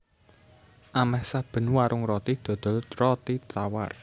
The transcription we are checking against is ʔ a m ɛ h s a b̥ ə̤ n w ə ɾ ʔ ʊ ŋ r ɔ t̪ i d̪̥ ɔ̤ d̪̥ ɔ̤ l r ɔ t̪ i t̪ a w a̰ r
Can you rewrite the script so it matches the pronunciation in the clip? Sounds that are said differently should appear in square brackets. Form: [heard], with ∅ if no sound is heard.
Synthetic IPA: ʔ a m ɛ h s a b̥ ə̤ n w [a] ɾ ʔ ʊ ŋ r ɔ t̪ i d̪̥ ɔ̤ d̪̥ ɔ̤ l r ɔ t̪ i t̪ a w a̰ r